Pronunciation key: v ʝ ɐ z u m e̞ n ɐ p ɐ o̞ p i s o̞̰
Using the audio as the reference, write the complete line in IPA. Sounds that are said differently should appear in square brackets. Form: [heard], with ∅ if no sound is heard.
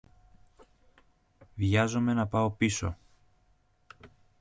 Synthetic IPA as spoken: v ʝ ɐ z [o] m e̞ n ɐ p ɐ o̞ p i s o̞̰